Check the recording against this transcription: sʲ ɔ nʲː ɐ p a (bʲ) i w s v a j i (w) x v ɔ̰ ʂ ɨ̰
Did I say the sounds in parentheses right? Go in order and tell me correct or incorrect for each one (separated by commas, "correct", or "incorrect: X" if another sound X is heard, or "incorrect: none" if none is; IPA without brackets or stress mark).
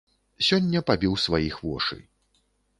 correct, incorrect: none